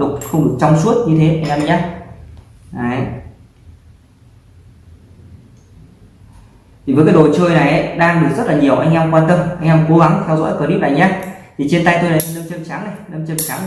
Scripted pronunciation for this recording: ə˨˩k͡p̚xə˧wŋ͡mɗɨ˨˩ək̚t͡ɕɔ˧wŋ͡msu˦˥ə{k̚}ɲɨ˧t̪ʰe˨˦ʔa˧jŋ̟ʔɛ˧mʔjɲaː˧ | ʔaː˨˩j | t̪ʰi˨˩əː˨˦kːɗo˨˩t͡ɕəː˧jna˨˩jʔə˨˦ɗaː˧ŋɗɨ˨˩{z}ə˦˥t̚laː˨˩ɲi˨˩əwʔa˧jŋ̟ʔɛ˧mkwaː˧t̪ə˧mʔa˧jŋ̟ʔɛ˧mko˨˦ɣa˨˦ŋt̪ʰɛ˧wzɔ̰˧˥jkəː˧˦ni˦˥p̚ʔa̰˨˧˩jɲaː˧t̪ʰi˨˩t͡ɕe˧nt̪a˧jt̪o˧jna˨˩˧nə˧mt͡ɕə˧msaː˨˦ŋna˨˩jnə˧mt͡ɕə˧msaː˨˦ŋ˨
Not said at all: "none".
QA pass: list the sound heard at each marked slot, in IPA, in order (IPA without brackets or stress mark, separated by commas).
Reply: t̚, z